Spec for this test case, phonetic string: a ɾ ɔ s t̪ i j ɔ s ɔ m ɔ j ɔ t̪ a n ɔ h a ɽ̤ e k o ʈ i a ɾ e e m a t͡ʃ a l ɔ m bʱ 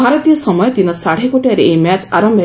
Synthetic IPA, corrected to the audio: a ɾ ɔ t̪ i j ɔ s ɔ m ɔ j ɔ t̪ i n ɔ s a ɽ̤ e k o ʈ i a ɾ e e m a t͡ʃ a ɾ ɔ m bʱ